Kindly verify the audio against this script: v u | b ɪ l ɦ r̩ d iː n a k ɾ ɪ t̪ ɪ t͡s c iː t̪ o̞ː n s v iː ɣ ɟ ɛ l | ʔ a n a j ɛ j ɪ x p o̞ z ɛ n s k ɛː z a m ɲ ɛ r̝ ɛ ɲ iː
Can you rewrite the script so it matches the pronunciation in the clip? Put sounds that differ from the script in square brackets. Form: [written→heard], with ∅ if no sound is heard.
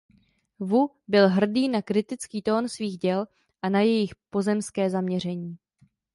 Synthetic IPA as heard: v u | b ɪ l ɦ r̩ d iː n a k ɾ ɪ t̪ ɪ t͡s [c→k] iː t̪ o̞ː n s v iː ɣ ɟ ɛ l | ʔ a n a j ɛ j ɪ x p o̞ z ɛ [n→m] s k ɛː z a m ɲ ɛ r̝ ɛ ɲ iː